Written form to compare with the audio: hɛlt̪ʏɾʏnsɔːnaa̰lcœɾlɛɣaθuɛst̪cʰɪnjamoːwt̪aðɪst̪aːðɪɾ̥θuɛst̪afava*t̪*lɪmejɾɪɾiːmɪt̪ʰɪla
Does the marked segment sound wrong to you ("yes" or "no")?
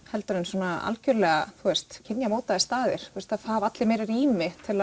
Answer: no